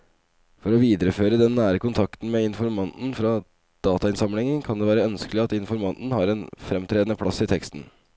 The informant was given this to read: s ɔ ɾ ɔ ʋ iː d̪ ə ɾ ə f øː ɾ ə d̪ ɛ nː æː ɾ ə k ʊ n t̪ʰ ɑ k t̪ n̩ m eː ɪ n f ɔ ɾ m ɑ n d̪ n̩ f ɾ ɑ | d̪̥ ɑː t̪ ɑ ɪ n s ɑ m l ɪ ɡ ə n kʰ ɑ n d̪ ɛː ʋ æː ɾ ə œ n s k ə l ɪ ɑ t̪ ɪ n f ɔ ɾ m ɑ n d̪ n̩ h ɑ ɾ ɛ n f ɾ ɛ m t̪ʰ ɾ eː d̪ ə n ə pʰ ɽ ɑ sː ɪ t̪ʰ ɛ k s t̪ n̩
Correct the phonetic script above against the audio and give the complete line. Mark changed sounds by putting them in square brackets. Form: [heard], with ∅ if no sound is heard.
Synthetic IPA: [f] ɔ ɾ ɔ ʋ iː d̪ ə ɾ ə f øː ɾ ə d̪ ɛ nː æː ɾ ə k ʊ n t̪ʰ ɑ k t̪ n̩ m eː ɪ n f ɔ ɾ m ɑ n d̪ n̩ f ɾ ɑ | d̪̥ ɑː t̪ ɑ ɪ n s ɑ m l ɪ [ŋ] ə n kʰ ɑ n d̪ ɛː ʋ æː ɾ ə œ n s k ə l ɪ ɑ t̪ ɪ n f ɔ ɾ m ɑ n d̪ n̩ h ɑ ɾ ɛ n f ɾ ɛ m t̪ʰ ɾ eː d̪ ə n ə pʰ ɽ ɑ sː ɪ t̪ʰ ɛ k s t̪ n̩